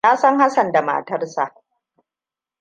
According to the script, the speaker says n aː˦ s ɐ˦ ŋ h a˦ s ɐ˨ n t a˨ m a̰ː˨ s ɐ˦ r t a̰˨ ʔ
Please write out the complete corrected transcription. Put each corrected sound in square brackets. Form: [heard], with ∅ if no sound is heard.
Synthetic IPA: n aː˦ s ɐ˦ ŋ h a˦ s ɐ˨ n [d] a˨ m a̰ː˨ [t] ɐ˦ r [s] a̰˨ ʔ